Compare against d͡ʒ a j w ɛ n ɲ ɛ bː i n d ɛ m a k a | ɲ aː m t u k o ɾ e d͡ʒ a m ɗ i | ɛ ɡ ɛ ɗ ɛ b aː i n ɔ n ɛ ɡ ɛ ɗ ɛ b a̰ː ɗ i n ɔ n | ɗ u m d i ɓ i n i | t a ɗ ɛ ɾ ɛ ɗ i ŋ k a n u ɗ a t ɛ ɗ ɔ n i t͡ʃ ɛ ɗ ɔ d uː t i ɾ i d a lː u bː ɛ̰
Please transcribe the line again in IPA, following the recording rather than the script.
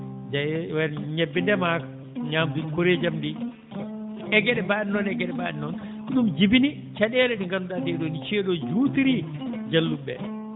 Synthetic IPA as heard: d͡ʒ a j w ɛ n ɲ ɛ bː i n d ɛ m a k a | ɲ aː m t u k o ɾ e d͡ʒ a m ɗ i | ɛ ɡ ɛ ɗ ɛ b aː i n ɔ n ɛ ɡ ɛ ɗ ɛ b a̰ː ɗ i n ɔ n | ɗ u m d͡ʒ i b i n i | t͡ʃ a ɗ ɛ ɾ ɛ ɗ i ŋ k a n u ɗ a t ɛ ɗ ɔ n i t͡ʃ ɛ ɗ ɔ d͡ʒ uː t i ɾ i d͡ʒ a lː u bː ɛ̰